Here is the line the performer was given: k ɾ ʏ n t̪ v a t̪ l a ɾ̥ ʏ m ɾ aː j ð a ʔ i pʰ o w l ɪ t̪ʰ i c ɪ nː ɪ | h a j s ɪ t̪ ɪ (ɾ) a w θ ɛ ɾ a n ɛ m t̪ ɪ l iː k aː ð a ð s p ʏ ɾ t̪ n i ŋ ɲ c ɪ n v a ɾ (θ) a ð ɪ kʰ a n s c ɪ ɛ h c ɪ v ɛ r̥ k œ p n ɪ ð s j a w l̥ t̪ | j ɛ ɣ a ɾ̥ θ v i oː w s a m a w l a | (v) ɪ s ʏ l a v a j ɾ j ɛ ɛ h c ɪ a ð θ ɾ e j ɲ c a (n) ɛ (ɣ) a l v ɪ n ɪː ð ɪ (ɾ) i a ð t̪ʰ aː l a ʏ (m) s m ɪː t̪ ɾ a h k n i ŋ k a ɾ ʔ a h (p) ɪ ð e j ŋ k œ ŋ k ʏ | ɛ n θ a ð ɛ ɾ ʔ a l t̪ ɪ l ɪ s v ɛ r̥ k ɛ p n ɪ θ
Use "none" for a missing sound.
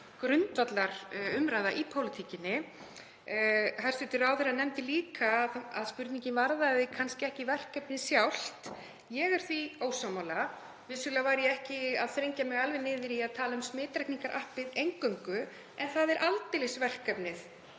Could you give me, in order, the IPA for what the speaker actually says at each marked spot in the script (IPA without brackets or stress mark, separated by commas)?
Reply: ɾ, ð, v, m, ɣ, ɾ, m, p